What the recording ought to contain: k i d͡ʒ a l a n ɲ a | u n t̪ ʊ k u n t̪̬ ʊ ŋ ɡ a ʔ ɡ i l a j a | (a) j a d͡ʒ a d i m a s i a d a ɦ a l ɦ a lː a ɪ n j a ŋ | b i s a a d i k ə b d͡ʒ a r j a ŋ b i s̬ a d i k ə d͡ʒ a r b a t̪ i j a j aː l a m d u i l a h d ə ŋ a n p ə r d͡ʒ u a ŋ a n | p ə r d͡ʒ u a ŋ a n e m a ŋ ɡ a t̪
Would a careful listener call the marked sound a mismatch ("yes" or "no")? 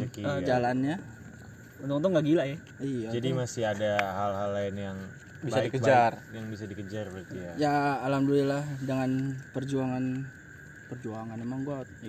yes